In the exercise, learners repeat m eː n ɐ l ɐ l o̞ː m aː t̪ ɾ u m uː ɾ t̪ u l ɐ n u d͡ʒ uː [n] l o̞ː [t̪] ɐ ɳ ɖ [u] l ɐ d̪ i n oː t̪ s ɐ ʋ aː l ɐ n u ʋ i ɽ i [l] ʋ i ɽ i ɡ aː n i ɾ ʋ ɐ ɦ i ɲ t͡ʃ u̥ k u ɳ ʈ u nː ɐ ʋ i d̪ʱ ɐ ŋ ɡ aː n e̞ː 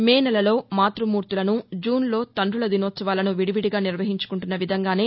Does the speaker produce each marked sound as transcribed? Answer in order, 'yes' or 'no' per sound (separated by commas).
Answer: yes, yes, yes, no